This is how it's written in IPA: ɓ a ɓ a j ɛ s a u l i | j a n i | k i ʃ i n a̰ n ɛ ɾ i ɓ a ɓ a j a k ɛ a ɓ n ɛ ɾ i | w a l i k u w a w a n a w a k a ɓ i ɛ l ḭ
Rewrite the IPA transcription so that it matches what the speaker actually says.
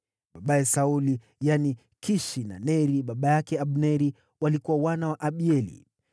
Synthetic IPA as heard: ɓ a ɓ a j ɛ s a u l i | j a n i | k i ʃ i n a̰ n ɛ ɾ i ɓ a ɓ a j a k ɛ a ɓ n ɛ ɾ i | w a l i k u w a w a n a w a ʔ a ɓ i ɛ l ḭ